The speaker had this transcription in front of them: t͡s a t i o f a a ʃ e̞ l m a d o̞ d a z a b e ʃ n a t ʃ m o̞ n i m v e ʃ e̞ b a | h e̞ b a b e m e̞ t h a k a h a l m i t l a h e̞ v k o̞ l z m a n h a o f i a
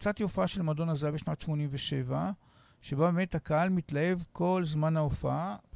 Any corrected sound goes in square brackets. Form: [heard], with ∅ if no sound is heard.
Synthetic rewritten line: t͡s a t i o f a a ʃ e̞ l m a d o̞ [n] a z a b e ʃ n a t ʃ m o̞ n i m v e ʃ e̞ [v] a | [ʃ] e̞ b a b e m e̞ t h a k a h a l m i t l a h e̞ v k o̞ l z m a n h a o f [a] a